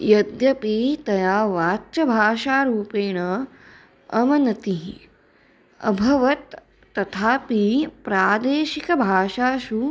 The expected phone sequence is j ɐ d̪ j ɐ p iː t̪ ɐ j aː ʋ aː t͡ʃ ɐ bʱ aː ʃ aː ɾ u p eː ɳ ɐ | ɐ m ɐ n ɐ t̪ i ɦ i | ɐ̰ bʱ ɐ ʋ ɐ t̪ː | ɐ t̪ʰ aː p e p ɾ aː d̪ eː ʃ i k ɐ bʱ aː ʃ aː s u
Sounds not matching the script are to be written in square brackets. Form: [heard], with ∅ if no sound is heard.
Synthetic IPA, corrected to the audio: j ɐ d̪ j ɐ p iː t̪ ɐ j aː ʋ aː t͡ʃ ɐ bʱ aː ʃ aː ɾ [uː] p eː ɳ ɐ | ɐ m ɐ n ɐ t̪ i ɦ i | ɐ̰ bʱ ɐ ʋ ɐ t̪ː | ɐ t̪ʰ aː p [i] p ɾ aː d̪ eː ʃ i k ɐ bʱ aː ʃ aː [ʃ] u